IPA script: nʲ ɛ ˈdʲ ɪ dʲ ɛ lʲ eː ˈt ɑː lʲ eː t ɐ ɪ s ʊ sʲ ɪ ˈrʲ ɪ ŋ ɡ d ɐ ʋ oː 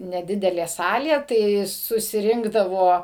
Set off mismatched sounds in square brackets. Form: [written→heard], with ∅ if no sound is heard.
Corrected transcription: nʲ ɛ ˈdʲ ɪ dʲ ɛ lʲ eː [ˈt→ˈs] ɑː lʲ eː t ɐ ɪ s ʊ sʲ ɪ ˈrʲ ɪ ŋ ɡ d ɐ ʋ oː